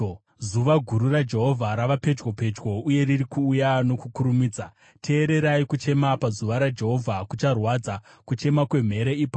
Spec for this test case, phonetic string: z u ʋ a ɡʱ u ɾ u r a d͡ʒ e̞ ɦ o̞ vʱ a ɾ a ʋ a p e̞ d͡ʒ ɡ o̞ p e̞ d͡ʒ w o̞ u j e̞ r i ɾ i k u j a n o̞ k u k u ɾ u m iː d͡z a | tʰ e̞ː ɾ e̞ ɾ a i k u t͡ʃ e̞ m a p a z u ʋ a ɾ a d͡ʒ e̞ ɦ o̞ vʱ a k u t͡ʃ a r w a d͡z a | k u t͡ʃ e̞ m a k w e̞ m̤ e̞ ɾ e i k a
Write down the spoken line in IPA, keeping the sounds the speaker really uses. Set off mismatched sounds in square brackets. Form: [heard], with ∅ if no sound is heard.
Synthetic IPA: z u ʋ a ɡʱ u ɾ u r a d͡ʒ e̞ ɦ o̞ vʱ a ɾ a ʋ a p e̞ d͡ʒ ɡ o̞ p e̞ d͡ʒ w o̞ u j e̞ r i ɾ i k [uː] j a n o̞ k u k u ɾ u m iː d͡z a | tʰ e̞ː ɾ e̞ ɾ a i k u t͡ʃ e̞ m a p a z u ʋ a ɾ a d͡ʒ e̞ ɦ o̞ vʱ a k u t͡ʃ a r w a d͡z a | k u t͡ʃ e̞ m a k w e̞ m̤ e̞ ɾ e i [p] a